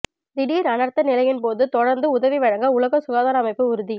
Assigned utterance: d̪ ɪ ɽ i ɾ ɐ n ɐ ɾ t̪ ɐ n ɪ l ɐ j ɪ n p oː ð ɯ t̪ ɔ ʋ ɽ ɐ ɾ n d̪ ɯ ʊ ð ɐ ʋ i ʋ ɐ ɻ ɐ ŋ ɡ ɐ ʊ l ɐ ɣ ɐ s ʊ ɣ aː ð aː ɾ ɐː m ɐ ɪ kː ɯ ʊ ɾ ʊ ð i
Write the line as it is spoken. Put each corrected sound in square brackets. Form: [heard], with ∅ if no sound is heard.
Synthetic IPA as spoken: d̪ ɪ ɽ i ɾ ɐ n ɐ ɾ t̪ ɐ n ɪ l ɐ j ɪ n p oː ð ɯ t̪ ɔ [∅] ɽ ɐ ɾ n d̪ ɯ ʊ ð ɐ ʋ i ʋ ɐ ɻ ɐ ŋ ɡ ɐ ʊ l ɐ ɣ ɐ s ʊ ɣ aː ð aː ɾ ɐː m ɐ ɪ [pː] ɯ ʊ ɾ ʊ ð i